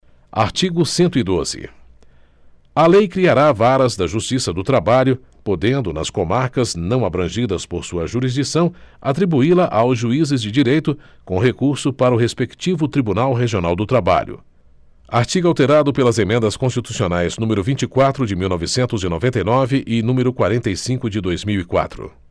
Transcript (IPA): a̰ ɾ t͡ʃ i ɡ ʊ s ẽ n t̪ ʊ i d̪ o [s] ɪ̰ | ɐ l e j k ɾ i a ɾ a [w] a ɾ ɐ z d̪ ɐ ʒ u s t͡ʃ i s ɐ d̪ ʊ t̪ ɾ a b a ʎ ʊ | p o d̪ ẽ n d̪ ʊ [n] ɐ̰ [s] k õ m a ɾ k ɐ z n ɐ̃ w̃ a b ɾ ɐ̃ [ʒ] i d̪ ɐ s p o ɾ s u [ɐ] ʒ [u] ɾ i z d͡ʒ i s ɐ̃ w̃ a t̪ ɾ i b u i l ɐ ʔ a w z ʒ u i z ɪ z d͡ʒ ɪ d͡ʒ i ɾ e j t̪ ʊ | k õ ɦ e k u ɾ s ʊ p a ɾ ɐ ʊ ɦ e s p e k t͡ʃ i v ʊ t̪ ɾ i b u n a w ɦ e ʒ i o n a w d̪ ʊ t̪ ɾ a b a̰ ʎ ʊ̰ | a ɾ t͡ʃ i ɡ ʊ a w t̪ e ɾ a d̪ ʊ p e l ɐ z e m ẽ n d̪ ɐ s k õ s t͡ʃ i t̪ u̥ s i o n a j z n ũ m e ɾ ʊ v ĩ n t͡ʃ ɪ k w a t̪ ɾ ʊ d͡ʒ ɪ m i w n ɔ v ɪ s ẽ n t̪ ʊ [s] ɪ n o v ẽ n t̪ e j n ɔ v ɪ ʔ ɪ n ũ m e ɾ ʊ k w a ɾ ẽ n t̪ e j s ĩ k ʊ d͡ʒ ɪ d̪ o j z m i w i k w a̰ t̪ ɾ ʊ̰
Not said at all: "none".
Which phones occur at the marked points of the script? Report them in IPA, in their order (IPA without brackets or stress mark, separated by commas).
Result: z, v, n, s, ʒ, ɐ, u, z